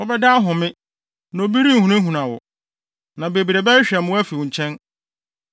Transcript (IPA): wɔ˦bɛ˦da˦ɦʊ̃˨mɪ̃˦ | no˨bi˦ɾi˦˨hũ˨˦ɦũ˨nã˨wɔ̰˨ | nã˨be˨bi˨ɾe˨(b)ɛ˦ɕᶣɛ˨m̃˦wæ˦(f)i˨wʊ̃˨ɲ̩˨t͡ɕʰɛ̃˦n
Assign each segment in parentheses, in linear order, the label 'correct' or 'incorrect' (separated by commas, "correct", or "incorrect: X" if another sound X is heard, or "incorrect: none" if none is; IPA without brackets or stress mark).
correct, correct